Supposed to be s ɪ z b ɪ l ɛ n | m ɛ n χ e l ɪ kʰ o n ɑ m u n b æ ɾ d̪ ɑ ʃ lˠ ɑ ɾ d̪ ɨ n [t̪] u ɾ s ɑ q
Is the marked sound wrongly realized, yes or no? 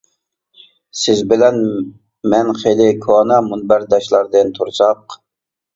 yes